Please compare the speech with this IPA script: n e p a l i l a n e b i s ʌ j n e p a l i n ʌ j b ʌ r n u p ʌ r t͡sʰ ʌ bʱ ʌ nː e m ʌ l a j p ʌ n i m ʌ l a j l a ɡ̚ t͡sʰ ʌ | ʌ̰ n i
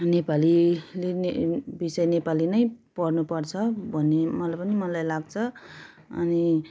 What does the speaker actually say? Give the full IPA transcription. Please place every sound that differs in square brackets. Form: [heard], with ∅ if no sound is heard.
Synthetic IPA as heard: n e p a l i l [e] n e b i s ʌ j n e p a l i n ʌ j [p] ʌ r n u p ʌ r t͡sʰ ʌ bʱ ʌ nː e m ʌ l a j p ʌ n i m ʌ l a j l a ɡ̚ t͡sʰ ʌ | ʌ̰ n i